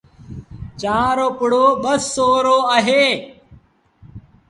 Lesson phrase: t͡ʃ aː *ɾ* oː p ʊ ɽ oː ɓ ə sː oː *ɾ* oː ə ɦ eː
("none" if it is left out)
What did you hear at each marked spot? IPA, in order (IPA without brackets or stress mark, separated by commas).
ɾ, ɾ